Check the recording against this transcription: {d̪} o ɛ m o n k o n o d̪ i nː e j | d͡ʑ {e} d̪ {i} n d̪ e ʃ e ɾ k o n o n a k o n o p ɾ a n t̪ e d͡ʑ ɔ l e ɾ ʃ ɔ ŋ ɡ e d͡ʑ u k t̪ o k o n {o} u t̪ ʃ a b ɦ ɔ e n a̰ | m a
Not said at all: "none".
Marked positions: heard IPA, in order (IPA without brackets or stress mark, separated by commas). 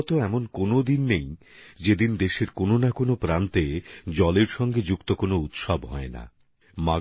t̪, e, i, o